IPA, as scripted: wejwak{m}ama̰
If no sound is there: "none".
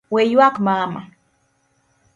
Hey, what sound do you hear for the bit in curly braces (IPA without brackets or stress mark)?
m